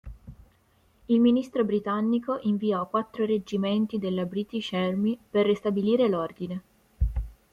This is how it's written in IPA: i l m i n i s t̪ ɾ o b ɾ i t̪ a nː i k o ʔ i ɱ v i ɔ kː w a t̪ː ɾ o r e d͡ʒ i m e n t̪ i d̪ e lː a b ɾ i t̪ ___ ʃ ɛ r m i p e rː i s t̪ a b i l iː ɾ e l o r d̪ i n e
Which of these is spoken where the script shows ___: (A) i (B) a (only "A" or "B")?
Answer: A